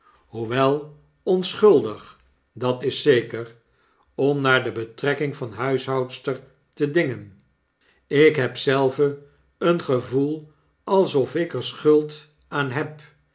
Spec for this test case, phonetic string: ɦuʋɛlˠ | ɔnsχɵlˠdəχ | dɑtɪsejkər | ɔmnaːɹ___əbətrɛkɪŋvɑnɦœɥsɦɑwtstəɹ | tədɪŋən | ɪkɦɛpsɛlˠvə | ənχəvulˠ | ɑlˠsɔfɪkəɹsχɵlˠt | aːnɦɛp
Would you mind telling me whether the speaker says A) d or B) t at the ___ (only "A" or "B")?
A